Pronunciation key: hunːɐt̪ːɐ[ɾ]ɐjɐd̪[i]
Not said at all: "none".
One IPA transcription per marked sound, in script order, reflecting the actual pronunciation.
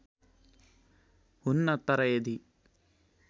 ɾ, i

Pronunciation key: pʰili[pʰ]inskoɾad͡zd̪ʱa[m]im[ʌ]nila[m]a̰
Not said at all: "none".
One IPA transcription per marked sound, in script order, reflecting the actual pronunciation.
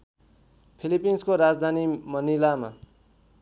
p, n, ʌ, m

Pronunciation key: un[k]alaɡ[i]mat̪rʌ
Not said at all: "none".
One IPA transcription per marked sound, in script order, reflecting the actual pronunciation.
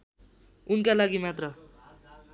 k, i

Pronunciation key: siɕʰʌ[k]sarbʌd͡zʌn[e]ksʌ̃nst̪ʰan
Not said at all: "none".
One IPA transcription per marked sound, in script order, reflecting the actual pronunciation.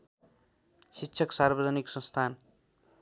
k, i

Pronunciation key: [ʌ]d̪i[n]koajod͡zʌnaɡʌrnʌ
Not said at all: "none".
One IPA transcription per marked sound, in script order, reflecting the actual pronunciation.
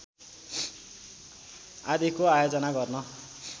a, none

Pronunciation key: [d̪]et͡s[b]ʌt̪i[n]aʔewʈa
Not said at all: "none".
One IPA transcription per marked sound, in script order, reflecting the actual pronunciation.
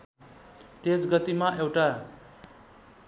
t̪, ɡ, m

